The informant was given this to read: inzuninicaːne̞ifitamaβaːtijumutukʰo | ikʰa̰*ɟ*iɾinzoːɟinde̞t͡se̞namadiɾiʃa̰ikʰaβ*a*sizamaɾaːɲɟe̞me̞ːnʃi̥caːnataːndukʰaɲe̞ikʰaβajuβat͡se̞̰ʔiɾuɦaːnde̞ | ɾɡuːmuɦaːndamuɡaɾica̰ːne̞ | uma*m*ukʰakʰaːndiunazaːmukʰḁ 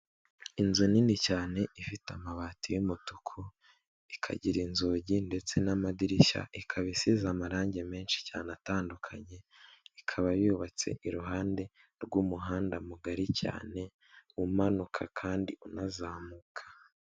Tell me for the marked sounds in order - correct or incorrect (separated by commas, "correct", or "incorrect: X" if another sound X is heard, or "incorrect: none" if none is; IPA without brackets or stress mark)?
correct, incorrect: i, incorrect: n